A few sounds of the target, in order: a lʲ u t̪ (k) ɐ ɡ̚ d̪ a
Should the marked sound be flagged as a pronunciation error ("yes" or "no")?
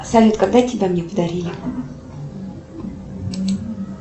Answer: no